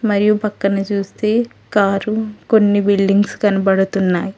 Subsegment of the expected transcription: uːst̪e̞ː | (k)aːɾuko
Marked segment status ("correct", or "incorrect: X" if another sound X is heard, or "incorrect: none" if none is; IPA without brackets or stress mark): correct